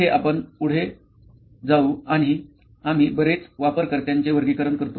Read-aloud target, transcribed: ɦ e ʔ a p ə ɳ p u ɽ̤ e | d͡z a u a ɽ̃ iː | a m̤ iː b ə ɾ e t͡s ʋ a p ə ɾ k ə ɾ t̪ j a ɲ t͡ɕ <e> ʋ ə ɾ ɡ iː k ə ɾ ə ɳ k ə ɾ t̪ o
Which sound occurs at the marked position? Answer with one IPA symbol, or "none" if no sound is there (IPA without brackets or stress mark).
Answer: e